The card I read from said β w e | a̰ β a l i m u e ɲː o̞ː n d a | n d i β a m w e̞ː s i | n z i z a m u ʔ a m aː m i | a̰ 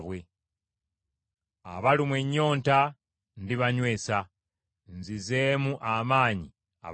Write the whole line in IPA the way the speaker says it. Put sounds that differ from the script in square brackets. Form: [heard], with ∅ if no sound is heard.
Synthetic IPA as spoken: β w e | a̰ β a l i m [w] e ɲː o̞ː n [t] a | n d i β a [ɲ] w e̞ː s [a] | n z i z [e] m u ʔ a m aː [ɲ] i | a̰

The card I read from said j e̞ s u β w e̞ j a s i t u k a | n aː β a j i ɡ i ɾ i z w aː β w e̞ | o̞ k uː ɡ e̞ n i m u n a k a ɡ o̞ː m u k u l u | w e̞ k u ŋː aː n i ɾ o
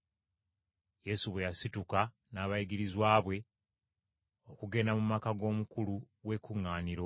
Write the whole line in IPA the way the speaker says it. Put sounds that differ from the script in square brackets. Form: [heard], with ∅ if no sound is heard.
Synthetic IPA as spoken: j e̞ s u β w e̞ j a s i t u k a | n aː β a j i ɡ i ɾ i z w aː β w e̞ | o̞ k [u] ɡ e̞ n [a] m u [m] a k a ɡ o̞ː m u k u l u | w e̞ k u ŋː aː n i ɾ o

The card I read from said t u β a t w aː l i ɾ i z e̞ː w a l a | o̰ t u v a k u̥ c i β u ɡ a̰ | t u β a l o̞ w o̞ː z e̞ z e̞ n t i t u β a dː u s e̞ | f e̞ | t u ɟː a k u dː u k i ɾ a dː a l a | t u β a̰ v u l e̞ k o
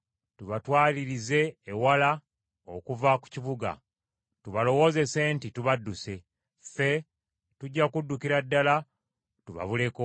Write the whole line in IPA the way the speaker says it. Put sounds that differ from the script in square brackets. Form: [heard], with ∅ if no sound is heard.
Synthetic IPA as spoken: t u β a t w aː l i ɾ i z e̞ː w a l a | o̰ [k] u v a k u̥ c i β u ɡ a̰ | t u β a l o̞ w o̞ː z e̞ [s] e̞ n t i t u β a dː u s e̞ | f e̞ | t u ɟː a k u dː u k i ɾ a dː a l a | t u β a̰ [β] u l e̞ k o

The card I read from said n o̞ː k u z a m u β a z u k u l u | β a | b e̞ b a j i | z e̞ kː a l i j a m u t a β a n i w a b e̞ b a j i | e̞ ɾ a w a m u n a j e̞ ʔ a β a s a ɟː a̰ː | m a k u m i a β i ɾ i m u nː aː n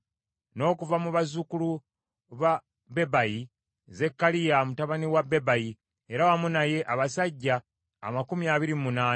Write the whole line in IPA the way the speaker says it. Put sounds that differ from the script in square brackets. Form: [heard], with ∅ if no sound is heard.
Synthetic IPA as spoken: n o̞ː k u [v] a m u β a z u k u l u | β a | b e̞ b a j i | z e̞ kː a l i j a m u t a β a n i w a b e̞ b a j i | e̞ ɾ a w a m u n a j e̞ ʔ a β a s a ɟː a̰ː | m a k u m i a β i ɾ i m u [n] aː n

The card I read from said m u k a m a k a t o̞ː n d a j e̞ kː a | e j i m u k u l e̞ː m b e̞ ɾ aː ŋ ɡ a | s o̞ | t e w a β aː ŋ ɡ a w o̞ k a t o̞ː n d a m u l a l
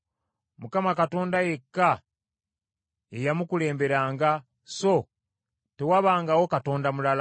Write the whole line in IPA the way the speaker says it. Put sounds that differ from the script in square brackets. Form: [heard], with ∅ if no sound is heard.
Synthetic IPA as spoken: m u k a m a k a t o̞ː n d a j e̞ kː a | e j [a] m u k u l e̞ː m b e̞ ɾ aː ŋ ɡ a | s o̞ | t e w a β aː ŋ ɡ a w o̞ k a t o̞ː n d a m u l a l

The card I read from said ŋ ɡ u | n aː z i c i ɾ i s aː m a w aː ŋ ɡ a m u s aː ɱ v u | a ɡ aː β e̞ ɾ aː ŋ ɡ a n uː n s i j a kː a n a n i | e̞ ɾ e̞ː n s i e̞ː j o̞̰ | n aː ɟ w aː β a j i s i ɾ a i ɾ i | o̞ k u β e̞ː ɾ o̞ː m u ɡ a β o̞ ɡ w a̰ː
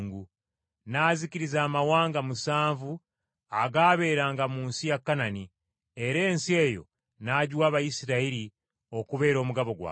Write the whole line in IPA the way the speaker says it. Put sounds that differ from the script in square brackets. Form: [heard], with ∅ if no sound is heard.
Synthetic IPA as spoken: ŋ ɡ u | n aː z i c i ɾ i [z] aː m a w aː ŋ ɡ a m u s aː ɱ v u | a ɡ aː β e̞ ɾ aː ŋ ɡ a [m] uː n s i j a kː a n a n i | e̞ ɾ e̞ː n s i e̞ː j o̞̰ | n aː ɟ w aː β a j i s i ɾ a i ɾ i | o̞ k u β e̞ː ɾ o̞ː m u ɡ a β o̞ ɡ w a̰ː

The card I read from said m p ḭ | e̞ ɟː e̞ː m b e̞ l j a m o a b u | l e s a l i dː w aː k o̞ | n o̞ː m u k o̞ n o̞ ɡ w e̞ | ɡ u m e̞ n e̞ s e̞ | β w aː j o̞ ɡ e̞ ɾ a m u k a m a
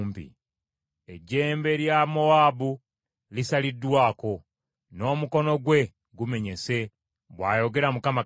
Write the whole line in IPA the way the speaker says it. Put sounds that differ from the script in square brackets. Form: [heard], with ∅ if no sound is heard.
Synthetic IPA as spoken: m p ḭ | e̞ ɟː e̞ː m b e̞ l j a m o a b u | l [i] s a l i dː w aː k o̞ | n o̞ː m u k o̞ n o̞ ɡ w e̞ | ɡ u m e̞ [ɲ] e̞ s e̞ | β w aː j o̞ ɡ e̞ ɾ a m u k a m a

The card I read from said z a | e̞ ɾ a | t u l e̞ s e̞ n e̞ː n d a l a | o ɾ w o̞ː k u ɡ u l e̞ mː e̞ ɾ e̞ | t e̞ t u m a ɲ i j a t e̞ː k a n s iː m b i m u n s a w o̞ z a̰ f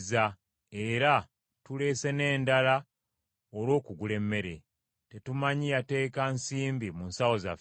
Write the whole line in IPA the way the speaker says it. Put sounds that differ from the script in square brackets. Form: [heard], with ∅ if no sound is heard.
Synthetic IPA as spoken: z a | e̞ ɾ a | t u l e̞ s e̞ n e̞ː n d a l a | o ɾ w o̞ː k u ɡ u l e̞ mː e̞ ɾ e̞ | t e̞ t u m a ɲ i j a t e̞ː k a n s iː m b i m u n s a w o̞ z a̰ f

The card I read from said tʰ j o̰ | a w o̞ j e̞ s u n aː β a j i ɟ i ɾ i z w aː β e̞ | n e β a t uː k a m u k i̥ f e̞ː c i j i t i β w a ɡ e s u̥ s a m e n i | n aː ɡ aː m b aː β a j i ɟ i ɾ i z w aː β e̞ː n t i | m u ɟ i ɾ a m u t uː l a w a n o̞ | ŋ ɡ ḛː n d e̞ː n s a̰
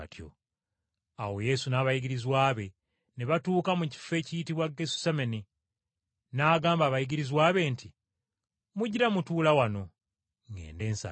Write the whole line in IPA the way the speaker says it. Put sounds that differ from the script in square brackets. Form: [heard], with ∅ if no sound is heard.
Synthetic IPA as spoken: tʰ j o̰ | a w o̞ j e̞ s u n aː β a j i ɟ i ɾ i z w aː β e̞ | n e β a t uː k a m u [c] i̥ f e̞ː c i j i t i β w a ɡ e s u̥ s a m e n i | n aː ɡ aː m b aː β a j i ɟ i ɾ i z w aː β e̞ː n t i | m u ɟ i ɾ a m u t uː l a w a n o̞ | ŋ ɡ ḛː n d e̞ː n s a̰

